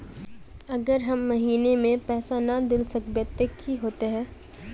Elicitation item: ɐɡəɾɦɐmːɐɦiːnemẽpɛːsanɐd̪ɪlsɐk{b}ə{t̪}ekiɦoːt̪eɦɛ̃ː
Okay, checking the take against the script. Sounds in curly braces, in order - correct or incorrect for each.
correct, correct

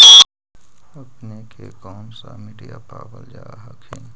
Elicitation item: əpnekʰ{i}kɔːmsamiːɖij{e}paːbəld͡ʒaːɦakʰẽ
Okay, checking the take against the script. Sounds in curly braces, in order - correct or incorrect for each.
incorrect: e, incorrect: a

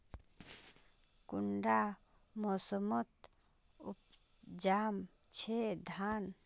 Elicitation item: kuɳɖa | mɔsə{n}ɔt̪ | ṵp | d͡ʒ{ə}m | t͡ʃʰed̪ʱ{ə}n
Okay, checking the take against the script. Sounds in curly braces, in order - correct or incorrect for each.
incorrect: m, incorrect: a, incorrect: a

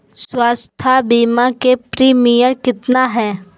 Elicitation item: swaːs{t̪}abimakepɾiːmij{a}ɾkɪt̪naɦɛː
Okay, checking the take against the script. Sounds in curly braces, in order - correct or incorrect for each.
incorrect: t̪ʰ, incorrect: ə

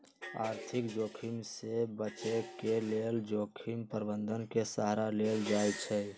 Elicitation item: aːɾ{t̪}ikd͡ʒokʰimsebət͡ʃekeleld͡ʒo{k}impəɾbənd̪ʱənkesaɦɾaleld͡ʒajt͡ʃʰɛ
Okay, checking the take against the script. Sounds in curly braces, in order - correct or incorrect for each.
incorrect: t̪ʰ, incorrect: kʰ

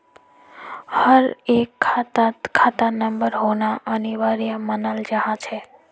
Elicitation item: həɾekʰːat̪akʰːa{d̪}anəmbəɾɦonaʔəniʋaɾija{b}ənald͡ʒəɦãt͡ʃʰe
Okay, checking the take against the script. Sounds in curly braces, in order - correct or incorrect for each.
incorrect: t̪, incorrect: m

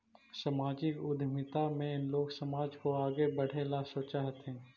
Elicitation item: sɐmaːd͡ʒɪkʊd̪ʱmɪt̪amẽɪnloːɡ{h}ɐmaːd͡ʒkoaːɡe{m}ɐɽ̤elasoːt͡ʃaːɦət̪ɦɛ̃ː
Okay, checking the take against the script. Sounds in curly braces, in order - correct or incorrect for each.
incorrect: s, incorrect: b

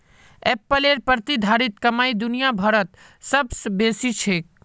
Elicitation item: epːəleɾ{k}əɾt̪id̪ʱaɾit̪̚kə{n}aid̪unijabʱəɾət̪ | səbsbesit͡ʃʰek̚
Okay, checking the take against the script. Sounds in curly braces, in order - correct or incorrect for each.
incorrect: p, incorrect: m

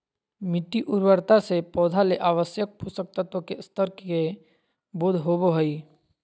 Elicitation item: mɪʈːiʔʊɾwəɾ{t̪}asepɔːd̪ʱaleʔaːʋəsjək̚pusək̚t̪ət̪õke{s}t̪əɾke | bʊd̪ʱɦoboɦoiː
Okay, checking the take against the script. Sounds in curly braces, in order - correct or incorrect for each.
correct, correct

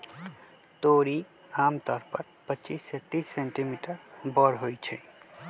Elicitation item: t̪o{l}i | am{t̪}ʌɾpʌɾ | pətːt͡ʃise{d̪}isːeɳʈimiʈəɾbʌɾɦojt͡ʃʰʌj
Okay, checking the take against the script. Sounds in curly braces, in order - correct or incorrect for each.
incorrect: ɾ, correct, incorrect: t̪

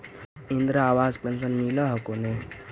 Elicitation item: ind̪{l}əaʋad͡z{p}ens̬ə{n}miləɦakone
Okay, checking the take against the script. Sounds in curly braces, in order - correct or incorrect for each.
incorrect: ɾ, correct, correct

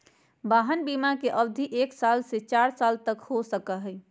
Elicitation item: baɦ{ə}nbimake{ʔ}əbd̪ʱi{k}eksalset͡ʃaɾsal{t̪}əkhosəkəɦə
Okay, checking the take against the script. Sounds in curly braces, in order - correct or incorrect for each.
correct, correct, incorrect: ʔ, correct

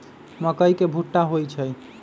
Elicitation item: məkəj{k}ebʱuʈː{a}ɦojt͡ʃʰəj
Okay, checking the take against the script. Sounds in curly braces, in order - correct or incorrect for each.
correct, correct

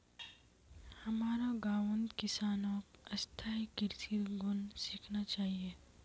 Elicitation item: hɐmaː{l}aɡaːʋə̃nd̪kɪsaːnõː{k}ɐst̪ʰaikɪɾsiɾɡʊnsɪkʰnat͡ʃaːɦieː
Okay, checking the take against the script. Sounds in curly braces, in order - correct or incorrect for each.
incorrect: ɾ, correct

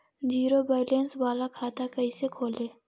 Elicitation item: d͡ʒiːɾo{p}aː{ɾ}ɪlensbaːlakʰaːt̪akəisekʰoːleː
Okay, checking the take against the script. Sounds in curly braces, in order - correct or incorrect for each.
incorrect: b, incorrect: none

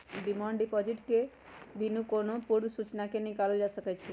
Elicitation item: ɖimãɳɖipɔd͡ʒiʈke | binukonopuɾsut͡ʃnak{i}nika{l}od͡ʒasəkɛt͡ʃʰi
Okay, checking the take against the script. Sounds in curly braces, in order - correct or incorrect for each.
incorrect: e, correct

